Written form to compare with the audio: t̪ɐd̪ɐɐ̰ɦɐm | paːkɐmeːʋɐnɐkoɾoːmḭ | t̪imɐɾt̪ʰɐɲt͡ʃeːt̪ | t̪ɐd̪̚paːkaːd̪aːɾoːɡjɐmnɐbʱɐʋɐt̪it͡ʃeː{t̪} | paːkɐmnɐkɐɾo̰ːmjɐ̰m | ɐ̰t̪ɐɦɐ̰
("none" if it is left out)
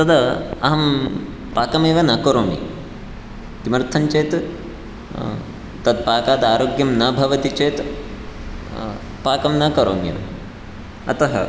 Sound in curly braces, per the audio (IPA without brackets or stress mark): t̪